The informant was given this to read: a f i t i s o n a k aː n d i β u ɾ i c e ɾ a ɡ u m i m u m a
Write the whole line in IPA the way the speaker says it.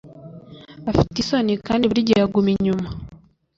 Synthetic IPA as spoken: a f i t i s o n i k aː n d i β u ɾ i ɟ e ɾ a ɡ u m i ɲ u m a